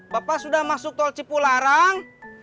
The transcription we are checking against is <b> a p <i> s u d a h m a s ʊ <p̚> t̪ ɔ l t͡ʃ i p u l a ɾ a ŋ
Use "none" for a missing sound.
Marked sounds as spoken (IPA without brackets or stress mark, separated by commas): b, a, k̚